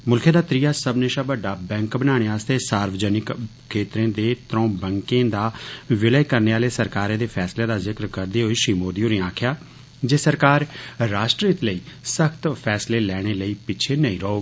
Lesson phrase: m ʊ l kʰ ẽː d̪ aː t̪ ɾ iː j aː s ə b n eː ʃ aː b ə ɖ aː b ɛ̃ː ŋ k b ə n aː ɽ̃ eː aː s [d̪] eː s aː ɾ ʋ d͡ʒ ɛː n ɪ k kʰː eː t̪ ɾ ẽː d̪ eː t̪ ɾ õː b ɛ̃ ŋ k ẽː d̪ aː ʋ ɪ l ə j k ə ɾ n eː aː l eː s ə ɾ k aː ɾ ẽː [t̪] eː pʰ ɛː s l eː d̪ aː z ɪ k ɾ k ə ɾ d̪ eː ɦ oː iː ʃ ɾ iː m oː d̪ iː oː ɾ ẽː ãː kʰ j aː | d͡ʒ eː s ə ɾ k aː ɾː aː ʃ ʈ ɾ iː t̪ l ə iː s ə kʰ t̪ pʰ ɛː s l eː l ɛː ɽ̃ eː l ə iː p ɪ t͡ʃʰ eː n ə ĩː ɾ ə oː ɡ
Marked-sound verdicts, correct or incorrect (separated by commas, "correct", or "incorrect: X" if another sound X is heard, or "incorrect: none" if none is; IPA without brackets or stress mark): incorrect: t̪, incorrect: d̪